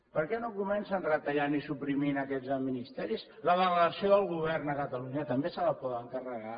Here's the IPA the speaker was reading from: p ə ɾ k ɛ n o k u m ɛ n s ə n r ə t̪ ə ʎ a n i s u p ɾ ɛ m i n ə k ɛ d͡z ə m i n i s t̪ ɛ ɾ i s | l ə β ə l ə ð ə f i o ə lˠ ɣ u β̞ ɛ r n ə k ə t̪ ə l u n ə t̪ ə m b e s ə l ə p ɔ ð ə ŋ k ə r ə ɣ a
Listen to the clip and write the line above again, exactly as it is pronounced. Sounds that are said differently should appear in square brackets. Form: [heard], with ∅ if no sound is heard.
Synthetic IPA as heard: p ə ɾ k ɛ n o k u m ɛ n s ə n r ə t̪ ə ʎ a n i s u p ɾ [i] m i n ə k ɛ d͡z ə m i n i s t̪ ɛ ɾ i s | l ə β ə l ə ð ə [s] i o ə lˠ ɣ u β̞ ɛ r n ə k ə t̪ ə l u [ɲ] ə t̪ ə m b e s ə l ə p ɔ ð ə ŋ k ə r ə ɣ a

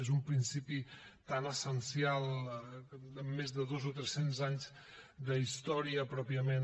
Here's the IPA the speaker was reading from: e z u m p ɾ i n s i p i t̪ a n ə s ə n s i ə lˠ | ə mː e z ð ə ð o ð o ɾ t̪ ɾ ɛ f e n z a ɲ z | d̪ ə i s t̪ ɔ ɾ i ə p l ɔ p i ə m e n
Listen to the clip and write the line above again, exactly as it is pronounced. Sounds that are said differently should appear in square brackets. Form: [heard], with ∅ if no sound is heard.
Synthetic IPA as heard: e z u m p ɾ i n s i p i t̪ a n ə s ə n s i [a] lˠ | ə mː e z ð ə ð o [z] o [∅] t̪ ɾ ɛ [s] e n z a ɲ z | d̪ ə i s t̪ ɔ ɾ i ə p [ɾ] ɔ p i ə m e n

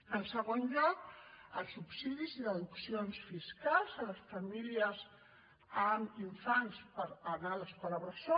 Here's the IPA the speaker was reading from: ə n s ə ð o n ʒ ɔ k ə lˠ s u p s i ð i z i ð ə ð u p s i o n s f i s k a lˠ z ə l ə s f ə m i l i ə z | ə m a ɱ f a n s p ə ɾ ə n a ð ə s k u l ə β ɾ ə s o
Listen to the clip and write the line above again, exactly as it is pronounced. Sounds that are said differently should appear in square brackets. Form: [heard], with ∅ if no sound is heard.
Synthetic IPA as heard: ə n s ə [ɣ] o n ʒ ɔ k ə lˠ s u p s i ð i z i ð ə ð u [k] s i o n s f i s k a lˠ z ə l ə s f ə m i l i ə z | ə m [i] ɱ f a n s p ə ɾ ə n a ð ə s k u l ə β ɾ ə s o

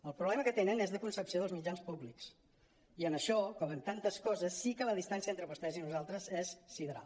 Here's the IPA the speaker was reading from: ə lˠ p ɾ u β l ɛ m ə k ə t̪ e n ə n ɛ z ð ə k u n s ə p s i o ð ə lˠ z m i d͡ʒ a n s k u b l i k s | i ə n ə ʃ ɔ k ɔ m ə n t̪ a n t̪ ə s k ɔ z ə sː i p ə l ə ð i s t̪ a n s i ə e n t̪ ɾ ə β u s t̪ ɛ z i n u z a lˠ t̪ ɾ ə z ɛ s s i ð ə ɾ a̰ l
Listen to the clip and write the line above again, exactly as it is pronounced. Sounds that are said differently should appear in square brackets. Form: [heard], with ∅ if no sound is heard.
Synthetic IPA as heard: ə lˠ p ɾ u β l ɛ m ə k ə t̪ e n ə n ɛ z ð ə k u n s ə p s i o ð ə lˠ z m i d͡ʒ a n s [p] u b l i k s | i ə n ə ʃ ɔ k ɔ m ə n t̪ a n t̪ ə s k ɔ z ə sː i [k] ə l ə ð i s t̪ a n s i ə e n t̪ ɾ ə β u s t̪ ɛ z i n u z a lˠ t̪ ɾ ə z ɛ s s i ð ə ɾ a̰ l

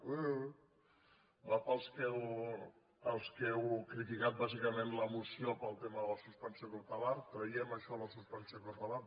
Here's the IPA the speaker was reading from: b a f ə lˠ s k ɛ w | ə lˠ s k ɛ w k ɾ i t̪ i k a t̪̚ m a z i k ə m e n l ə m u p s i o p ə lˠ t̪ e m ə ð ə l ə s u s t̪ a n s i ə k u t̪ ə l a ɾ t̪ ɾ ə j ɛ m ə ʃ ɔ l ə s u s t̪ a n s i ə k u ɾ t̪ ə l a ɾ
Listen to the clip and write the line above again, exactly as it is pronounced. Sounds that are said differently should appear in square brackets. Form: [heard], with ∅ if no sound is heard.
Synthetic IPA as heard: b a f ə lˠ s k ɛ w | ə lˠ s k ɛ w k ɾ i t̪ i k a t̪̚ [b] a z i k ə m e n l ə m u [∅] s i o p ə lˠ t̪ e m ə ð ə l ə s u s t̪ a n s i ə k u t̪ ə l a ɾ t̪ ɾ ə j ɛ m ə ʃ ɔ l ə s u s t̪ a n s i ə k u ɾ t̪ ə l a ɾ

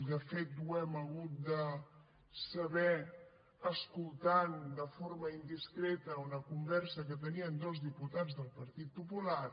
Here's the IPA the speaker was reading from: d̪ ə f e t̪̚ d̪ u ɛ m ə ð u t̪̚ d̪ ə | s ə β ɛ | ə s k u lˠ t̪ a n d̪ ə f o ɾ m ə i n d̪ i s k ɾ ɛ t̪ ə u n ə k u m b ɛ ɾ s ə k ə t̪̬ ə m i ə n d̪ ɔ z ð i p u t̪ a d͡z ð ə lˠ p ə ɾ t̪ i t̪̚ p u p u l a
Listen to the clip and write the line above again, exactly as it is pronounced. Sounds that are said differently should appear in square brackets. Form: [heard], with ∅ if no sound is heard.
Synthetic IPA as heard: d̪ ə f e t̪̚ d̪ u ɛ m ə [ɣ] u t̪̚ d̪ ə | s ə β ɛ | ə s k u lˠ t̪ a n d̪ ə f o ɾ m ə i n d̪ i s k ɾ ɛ t̪ ə u n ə k u m b ɛ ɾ s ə k ə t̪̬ ə [n] i ə n d̪ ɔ z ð i p u t̪ a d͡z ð ə lˠ p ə ɾ t̪ i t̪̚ p u p u l a

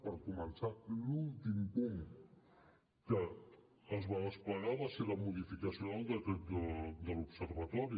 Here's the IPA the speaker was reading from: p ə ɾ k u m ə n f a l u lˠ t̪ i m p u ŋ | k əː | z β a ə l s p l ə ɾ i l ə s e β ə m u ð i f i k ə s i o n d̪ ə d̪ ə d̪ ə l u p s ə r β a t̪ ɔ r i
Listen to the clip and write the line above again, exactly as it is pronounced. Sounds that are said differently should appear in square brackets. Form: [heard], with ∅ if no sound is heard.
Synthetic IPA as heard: p ə ɾ k u m ə n [s] a l u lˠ t̪ i m p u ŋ | k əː | z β a ə [∅] s p l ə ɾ [a] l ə s e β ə m u ð i f i k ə s i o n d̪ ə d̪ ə d̪ ə l u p s ə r β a t̪ ɔ [ɾ] i

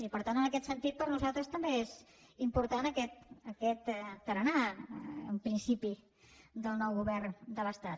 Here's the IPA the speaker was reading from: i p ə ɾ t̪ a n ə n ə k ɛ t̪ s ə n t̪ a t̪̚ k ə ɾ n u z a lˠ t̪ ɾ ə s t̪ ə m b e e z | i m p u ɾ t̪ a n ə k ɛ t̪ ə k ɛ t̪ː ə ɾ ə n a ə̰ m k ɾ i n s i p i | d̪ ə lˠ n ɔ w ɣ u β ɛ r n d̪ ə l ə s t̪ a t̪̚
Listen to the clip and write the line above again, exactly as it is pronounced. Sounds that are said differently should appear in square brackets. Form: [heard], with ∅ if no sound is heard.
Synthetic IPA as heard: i p ə ɾ t̪ a n ə n ə k ɛ t̪ s ə n t̪ [i] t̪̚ [p] ə ɾ n u z a lˠ t̪ ɾ ə s t̪ ə m b e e z | i m p u ɾ t̪ a n ə k ɛ t̪ ə k ɛ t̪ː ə ɾ ə n a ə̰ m [p] ɾ i n s i p i | d̪ ə lˠ n ɔ w ɣ u β ɛ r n d̪ ə l ə s t̪ a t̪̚

